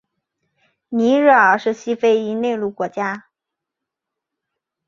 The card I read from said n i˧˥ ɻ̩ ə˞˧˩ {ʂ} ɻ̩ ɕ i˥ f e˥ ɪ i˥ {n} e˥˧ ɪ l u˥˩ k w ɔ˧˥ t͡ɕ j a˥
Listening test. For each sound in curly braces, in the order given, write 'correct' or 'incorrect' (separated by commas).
correct, correct